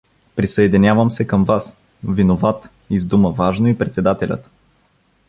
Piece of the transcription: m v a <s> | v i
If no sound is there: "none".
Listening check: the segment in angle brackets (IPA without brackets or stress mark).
s